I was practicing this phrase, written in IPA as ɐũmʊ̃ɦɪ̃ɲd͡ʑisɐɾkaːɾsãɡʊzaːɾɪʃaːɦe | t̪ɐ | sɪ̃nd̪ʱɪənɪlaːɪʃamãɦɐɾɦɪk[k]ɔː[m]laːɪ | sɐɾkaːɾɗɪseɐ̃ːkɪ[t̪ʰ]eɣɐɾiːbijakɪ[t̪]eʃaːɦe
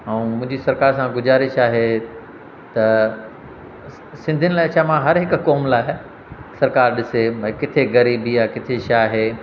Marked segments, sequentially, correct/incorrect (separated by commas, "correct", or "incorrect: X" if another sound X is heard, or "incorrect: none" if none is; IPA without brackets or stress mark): correct, correct, correct, incorrect: t̪ʰ